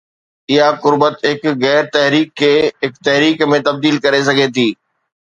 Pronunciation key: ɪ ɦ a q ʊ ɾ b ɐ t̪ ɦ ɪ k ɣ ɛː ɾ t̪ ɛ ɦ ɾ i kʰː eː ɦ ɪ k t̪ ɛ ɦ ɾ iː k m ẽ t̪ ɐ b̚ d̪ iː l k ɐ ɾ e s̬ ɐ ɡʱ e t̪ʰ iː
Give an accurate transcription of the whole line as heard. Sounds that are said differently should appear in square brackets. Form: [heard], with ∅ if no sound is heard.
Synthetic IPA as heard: ɪ ɦ a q ʊ ɾ b [ə] t̪ ɦ ɪ k ɣ ɛː ɾ t̪ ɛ ɦ ɾ [iː] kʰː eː ɦ ɪ k t̪ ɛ ɦ ɾ iː k m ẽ t̪ ɐ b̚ d̪ iː l k ɐ ɾ e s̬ ɐ ɡʱ e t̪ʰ iː